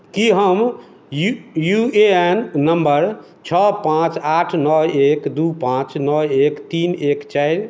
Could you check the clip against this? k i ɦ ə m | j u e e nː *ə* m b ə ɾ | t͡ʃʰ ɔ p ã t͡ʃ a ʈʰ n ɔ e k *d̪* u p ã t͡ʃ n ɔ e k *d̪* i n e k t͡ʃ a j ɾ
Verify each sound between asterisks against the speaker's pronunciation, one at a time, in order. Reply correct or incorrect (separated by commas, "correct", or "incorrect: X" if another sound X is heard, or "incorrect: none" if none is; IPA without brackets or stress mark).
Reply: correct, correct, incorrect: t̪